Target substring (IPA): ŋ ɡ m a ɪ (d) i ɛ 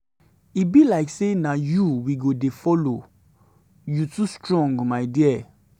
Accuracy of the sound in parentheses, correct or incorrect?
correct